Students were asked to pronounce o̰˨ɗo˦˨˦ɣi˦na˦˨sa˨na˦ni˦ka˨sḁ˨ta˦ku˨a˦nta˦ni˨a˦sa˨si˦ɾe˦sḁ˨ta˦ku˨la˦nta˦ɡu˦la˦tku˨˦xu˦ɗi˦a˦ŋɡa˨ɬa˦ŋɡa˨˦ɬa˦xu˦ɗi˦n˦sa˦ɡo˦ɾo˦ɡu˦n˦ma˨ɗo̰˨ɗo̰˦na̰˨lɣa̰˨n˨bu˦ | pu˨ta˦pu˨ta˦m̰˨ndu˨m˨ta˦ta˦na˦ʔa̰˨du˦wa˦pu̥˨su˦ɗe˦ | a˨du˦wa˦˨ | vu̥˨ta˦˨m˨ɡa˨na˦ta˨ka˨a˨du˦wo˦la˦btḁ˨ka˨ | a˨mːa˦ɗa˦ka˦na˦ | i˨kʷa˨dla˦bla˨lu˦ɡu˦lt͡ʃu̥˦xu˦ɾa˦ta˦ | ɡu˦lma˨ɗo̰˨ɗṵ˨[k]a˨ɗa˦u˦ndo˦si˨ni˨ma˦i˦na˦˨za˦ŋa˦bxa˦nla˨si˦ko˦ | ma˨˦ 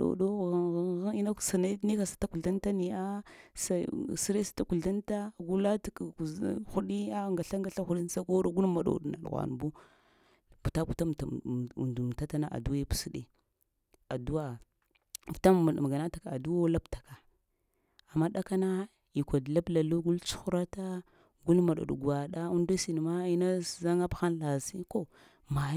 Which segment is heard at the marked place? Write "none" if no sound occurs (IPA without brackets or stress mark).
ɡ